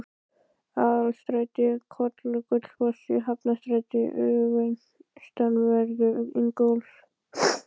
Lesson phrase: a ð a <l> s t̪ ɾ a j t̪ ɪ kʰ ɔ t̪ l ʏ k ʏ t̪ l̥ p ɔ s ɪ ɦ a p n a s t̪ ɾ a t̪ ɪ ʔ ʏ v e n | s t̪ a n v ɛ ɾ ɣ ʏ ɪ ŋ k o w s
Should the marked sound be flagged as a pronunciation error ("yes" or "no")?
no